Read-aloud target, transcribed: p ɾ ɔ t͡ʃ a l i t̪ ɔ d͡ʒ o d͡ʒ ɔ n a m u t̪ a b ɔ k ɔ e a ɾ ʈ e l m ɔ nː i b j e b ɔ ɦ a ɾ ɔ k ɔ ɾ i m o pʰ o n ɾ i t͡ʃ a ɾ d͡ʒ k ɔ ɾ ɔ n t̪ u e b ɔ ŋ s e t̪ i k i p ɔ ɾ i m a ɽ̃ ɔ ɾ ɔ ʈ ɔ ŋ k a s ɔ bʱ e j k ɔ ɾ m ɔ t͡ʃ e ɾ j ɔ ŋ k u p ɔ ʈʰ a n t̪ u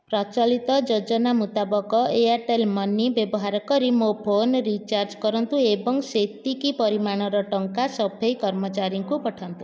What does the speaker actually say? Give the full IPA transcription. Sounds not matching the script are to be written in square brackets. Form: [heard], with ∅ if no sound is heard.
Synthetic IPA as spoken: p ɾ ɔ t͡ʃ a l i t̪ ɔ d͡ʒ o d͡ʒ ɔ n a m u t̪ a b ɔ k ɔ e a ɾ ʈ e l m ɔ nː i b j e b ɔ ɦ a ɾ ɔ k ɔ ɾ i m o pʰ o n ɾ i t͡ʃ a ɾ d͡ʒ k ɔ ɾ ɔ n t̪ u e b ɔ ŋ s e t̪ i k i p ɔ ɾ i m a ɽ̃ ɔ ɾ ɔ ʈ ɔ ŋ k a s ɔ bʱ e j k ɔ ɾ m ɔ t͡ʃ [a] ɾ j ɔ ŋ k u p ɔ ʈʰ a n t̪ u